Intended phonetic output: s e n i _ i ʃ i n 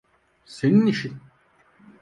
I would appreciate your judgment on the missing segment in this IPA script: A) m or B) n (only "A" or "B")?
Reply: B